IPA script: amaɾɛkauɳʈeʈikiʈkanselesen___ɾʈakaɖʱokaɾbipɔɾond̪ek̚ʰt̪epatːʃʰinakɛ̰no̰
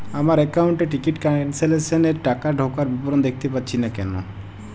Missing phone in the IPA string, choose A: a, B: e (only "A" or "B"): B